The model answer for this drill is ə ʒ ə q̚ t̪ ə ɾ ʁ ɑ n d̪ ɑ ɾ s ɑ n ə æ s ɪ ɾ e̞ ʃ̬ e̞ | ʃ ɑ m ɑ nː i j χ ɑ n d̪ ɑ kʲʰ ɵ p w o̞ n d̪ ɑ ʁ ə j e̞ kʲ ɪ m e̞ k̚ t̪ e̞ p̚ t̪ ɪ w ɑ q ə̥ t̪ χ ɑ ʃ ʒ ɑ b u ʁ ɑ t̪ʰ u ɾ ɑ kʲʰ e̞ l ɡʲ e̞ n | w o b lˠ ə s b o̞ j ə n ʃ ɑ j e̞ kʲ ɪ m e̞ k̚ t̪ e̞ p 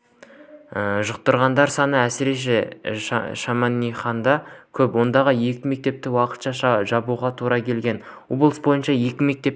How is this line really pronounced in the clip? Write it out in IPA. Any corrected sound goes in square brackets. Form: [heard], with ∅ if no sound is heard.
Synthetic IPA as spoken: ə ʒ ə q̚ t̪ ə ɾ ʁ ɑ n d̪ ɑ ɾ s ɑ n ə æ s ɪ ɾ e̞ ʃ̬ e̞ | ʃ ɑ m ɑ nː i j χ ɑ n d̪ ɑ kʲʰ ɵ p w o̞ n d̪ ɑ ʁ ə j e̞ kʲ ɪ m e̞ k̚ t̪ e̞ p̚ t̪ ɪ w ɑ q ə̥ t̪ [ʃ] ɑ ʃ ʒ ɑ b u ʁ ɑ t̪ʰ u ɾ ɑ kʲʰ e̞ l ɡʲ e̞ n | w o b lˠ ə s b o̞ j ə n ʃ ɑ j e̞ kʲ ɪ m e̞ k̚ t̪ e̞ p